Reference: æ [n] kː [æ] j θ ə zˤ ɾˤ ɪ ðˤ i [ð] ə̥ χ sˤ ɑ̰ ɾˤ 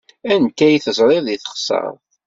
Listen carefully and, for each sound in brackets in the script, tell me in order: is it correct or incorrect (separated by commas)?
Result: correct, correct, incorrect